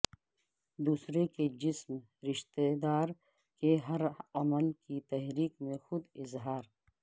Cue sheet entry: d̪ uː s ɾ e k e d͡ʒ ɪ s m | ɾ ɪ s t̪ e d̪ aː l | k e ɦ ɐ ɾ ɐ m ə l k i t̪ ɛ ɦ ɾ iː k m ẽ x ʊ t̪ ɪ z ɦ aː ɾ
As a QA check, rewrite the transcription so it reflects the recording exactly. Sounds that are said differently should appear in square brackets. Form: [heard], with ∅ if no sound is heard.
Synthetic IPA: d̪ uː s ɾ e k e d͡ʒ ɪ s m | ɾ ɪ [ʃ] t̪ e d̪ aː [ɾ] | k e ɦ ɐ ɾ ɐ m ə l k i t̪ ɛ ɦ ɾ iː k m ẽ x ʊ [d̪] ɪ z ɦ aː ɾ